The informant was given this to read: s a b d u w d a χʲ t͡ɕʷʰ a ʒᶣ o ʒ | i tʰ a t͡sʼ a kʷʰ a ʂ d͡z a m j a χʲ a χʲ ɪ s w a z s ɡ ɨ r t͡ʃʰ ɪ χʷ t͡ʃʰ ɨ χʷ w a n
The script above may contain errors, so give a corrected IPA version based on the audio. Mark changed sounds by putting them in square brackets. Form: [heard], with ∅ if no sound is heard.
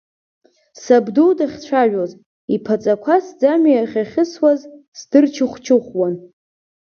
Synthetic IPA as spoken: s a b d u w d a χʲ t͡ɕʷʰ a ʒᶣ o [z] | i [pʰ] a t͡sʼ a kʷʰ a [s] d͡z a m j a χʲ a χʲ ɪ s w a z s [d] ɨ r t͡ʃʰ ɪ χʷ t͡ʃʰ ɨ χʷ w a n